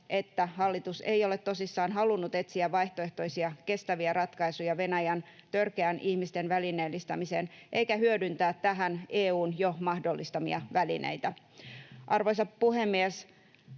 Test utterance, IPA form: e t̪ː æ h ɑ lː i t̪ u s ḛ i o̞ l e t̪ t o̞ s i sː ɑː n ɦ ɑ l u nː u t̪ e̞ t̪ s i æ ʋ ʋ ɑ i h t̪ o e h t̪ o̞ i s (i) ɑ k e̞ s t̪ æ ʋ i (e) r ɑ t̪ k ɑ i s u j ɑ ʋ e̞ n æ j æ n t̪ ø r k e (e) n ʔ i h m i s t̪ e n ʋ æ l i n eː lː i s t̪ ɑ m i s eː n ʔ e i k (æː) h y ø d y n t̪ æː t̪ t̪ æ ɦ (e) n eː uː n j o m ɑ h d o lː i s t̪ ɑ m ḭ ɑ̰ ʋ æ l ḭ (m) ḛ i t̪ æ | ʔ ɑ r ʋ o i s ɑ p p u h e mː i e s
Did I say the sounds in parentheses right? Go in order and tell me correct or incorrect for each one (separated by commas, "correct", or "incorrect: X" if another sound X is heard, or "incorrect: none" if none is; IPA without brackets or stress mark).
correct, incorrect: æ, incorrect: æ, incorrect: æ, incorrect: æ, incorrect: n